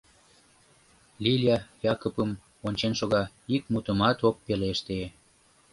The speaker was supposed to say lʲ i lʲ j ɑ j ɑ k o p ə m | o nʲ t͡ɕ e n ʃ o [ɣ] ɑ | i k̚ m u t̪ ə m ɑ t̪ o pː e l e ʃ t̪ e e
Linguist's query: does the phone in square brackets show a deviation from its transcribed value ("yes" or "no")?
no